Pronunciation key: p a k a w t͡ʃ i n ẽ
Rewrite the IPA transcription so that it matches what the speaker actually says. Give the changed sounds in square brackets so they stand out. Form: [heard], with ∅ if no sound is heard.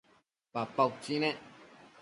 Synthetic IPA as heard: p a [p] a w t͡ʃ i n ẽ